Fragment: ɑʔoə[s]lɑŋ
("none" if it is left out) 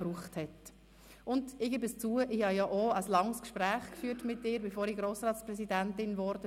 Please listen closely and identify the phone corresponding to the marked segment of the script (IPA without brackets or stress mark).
s